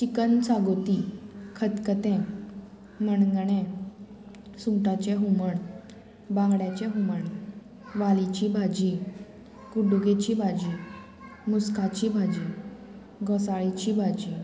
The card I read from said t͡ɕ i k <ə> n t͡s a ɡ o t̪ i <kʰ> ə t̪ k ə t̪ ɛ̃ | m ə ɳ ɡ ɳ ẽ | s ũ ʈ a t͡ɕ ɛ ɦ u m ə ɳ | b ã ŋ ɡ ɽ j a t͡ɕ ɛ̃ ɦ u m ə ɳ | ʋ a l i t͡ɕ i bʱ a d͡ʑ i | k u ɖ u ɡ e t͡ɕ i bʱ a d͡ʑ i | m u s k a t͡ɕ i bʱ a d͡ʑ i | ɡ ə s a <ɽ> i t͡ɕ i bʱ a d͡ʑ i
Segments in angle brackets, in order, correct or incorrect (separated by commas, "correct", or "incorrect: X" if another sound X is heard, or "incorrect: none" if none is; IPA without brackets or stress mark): correct, correct, incorrect: ɭ